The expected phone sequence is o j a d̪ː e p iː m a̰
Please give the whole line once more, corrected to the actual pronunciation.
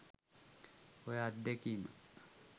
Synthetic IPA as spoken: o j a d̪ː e k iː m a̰